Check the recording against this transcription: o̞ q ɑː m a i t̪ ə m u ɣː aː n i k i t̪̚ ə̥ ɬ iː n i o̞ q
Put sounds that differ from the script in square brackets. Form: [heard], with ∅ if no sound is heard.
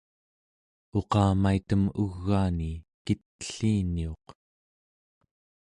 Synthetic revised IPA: o̞ q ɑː m a i t̪ ə m u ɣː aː n i k i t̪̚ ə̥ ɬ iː n i o̞ q